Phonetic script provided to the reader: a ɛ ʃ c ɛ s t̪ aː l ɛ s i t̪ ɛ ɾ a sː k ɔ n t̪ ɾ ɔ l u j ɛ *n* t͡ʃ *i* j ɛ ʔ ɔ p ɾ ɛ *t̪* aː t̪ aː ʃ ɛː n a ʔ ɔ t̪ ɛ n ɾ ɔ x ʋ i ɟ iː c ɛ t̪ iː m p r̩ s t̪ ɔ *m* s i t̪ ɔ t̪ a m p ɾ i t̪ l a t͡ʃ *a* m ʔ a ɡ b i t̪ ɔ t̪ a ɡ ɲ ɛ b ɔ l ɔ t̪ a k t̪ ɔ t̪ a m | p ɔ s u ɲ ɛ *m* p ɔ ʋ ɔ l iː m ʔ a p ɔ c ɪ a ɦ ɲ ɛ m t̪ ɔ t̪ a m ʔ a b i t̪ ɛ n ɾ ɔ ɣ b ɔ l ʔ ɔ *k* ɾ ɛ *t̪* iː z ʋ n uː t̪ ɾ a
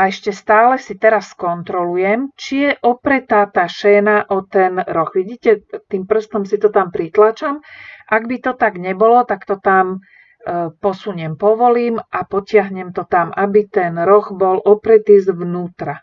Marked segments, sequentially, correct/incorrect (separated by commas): incorrect, correct, correct, correct, correct, correct, incorrect, correct